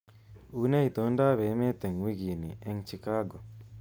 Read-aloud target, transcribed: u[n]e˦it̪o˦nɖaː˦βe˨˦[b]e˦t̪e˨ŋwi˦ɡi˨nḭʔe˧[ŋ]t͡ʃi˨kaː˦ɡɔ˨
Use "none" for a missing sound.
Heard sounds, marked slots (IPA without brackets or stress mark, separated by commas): n, m, ŋ